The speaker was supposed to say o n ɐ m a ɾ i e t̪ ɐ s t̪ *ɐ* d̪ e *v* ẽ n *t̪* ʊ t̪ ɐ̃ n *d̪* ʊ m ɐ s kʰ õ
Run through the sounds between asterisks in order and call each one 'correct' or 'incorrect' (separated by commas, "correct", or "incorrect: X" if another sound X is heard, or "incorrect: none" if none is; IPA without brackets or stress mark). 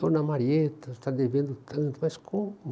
incorrect: a, correct, incorrect: d̪, incorrect: t̪